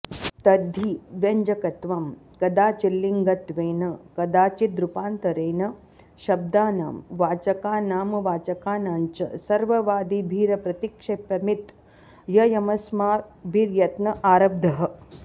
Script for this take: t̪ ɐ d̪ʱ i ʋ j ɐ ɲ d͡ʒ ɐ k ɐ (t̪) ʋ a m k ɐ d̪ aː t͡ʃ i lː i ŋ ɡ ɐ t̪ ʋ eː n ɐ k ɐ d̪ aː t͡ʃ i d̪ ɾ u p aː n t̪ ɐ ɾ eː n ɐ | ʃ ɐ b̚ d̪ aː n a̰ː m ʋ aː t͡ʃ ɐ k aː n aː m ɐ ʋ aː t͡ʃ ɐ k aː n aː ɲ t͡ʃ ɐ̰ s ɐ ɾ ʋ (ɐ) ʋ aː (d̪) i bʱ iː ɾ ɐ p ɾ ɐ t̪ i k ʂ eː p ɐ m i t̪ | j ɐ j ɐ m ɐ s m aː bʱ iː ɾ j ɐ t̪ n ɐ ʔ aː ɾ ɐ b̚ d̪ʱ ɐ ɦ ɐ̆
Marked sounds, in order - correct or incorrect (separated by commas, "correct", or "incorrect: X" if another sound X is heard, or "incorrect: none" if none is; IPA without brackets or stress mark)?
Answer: correct, correct, correct